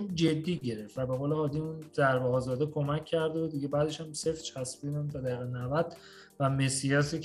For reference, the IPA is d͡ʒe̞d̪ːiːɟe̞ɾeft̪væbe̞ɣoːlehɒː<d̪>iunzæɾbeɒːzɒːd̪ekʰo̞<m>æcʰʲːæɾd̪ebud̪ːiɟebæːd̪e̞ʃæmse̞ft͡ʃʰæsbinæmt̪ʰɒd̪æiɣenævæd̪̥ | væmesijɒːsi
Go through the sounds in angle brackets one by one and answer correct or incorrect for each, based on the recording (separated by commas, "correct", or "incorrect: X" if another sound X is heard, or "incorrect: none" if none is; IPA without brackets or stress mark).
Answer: correct, correct